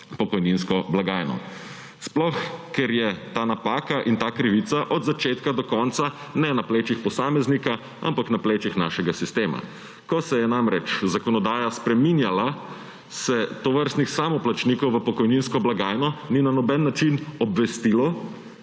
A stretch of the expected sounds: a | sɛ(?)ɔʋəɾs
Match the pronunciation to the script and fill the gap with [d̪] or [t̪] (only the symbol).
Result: t̪